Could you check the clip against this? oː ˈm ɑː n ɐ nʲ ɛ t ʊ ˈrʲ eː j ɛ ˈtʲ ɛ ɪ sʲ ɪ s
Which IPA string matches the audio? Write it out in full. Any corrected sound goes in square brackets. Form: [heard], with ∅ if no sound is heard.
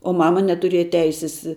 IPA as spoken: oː ˈm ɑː [m] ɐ nʲ ɛ t ʊ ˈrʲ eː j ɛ ˈtʲ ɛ ɪ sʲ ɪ s